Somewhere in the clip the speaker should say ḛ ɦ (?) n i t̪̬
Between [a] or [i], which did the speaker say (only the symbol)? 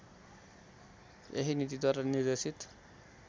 i